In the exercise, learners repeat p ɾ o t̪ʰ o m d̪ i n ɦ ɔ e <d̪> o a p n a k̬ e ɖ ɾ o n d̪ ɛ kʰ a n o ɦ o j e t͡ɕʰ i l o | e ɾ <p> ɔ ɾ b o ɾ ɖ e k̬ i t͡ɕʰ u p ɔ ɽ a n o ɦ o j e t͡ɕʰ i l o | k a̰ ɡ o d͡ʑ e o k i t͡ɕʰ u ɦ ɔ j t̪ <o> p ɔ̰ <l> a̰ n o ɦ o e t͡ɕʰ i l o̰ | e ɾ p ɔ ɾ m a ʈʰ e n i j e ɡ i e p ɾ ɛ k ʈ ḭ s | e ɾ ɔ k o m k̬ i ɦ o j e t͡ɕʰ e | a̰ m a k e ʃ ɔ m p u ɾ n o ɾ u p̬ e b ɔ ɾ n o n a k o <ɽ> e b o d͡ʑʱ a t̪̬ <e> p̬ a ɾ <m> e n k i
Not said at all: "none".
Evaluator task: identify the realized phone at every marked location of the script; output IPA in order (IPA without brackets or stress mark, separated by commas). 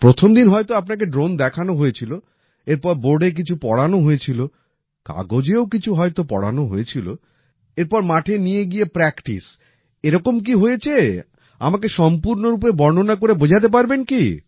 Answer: t̪, p, o, ɽ, ɾ, e, b